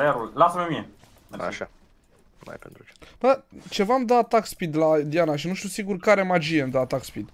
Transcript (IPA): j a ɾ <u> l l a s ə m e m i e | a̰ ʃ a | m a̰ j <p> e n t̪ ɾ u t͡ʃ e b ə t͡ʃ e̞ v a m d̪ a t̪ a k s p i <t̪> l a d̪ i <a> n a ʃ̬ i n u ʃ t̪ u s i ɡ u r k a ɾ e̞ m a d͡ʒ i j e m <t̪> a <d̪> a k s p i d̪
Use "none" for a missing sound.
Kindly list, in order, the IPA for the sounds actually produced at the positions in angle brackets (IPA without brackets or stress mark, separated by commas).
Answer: u, p, d̪, a, d̪, t̪